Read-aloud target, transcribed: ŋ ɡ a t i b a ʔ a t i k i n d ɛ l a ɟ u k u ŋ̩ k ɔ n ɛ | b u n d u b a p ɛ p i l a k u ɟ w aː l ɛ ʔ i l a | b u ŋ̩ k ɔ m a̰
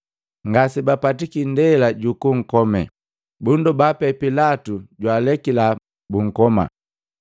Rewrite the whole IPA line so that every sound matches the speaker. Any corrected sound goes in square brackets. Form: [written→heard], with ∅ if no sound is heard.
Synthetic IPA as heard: ŋ ɡ a [t→s] i b a [ʔ→p] a t i k i n d ɛ l a ɟ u k u ŋ̩ k ɔ [n→m] ɛ | b u n d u b a p ɛ p i l a [k→t] u ɟ w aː l ɛ [ʔ→k] i l a | b u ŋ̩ k ɔ m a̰

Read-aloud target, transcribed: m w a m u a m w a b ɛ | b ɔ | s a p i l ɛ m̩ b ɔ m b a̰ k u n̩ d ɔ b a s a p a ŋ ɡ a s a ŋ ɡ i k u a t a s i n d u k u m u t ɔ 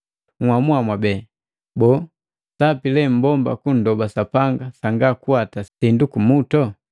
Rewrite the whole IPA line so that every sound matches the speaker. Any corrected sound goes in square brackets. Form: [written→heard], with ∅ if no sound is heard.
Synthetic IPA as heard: [m→ŋ] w a m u a m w a b ɛ | b ɔ | s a p i l ɛ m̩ b ɔ m b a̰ k u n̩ d ɔ b a s a p a ŋ ɡ a s a ŋ ɡ [i→a] k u a t a s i n d u k u m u t ɔ

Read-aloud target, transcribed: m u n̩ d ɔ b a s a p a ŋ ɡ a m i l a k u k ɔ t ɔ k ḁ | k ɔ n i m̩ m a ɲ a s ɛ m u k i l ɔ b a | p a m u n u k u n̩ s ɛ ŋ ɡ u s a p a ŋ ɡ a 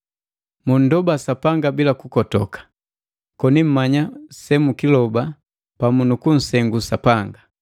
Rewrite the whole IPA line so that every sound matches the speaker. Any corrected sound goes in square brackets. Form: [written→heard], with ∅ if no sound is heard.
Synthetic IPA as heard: m u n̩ d ɔ b a s a p a ŋ ɡ a [m→b] i l a k u k ɔ t ɔ k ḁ | k ɔ n i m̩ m a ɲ a s ɛ m u k i l ɔ b a | p a m u n u k u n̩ s ɛ ŋ ɡ u s a p a ŋ ɡ a

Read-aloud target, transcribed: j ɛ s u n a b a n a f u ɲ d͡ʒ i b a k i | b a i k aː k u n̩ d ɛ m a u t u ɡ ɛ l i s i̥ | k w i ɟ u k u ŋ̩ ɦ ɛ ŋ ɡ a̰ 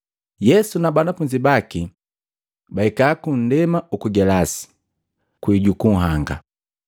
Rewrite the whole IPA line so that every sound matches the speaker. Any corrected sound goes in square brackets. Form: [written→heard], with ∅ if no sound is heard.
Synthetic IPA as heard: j ɛ s u n a b a n a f u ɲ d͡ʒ i b a k i | b a i k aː k u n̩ d ɛ m a u [t→k] u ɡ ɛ l [i→a] s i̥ | k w i ɟ u k u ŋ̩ ɦ [ɛ→a] ŋ ɡ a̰

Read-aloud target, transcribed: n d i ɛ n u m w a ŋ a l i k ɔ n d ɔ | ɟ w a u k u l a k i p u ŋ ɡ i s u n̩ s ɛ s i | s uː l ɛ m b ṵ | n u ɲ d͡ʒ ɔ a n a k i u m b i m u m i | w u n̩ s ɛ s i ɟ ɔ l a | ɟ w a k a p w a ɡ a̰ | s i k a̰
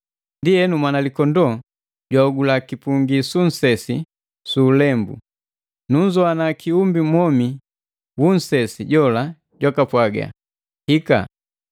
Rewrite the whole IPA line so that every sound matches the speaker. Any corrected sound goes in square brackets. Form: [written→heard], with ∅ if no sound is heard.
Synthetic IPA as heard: n d i ɛ n u m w a [ŋ→n] a l i k ɔ n d ɔ | ɟ w a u [k→ɡ] u l a k i p u ŋ ɡ i s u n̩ s ɛ s i | s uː l ɛ m b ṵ | n u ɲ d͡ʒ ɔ a n a k i u m b i m [u→ɔ] m i | w u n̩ s ɛ s i ɟ ɔ l a | ɟ w a k a p w a ɡ a̰ | [s→h] i k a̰

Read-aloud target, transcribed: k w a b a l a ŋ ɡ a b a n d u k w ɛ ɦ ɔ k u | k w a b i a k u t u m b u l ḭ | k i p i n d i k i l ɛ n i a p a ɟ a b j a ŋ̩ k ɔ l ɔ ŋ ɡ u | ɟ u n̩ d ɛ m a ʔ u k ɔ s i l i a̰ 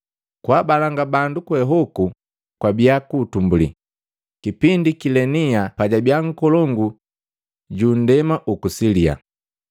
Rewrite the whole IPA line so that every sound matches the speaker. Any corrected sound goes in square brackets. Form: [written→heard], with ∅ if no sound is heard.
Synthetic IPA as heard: k w a b a l a ŋ ɡ a b a n d u k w ɛ ɦ ɔ k u | k w a b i a k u t u m b u l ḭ | k i p i n d i k i l ɛ n i a p a ɟ a b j a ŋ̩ k ɔ l ɔ ŋ ɡ u | ɟ u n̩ d ɛ m a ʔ u k [ɔ→u] s i l i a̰

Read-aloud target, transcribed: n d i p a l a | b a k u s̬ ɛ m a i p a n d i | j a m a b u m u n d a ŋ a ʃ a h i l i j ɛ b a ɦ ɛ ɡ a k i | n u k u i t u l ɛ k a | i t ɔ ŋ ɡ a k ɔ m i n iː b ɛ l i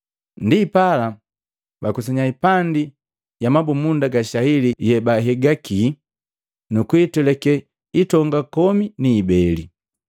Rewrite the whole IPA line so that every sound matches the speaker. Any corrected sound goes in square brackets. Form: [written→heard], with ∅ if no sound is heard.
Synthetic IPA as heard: n d i p a l a | b a k u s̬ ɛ [m→ɲ] a i p a n d i | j a m a b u m u n d a [ŋ→ɡ] a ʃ a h i l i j ɛ b a ɦ ɛ ɡ a k i | n u k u i t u l ɛ k [a→ɛ] | i t ɔ ŋ ɡ a k ɔ m i n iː b ɛ l i

